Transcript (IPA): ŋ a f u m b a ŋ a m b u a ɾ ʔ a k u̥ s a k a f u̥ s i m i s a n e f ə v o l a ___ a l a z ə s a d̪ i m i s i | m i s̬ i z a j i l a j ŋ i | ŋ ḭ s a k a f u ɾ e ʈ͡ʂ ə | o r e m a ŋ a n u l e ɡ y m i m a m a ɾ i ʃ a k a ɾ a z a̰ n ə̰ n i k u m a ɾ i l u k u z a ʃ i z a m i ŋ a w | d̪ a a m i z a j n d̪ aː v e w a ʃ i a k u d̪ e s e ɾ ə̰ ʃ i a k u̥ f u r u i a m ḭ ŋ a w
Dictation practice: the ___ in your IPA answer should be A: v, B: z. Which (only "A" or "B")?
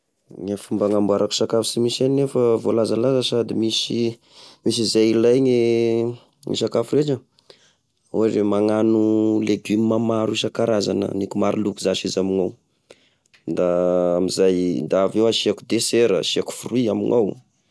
B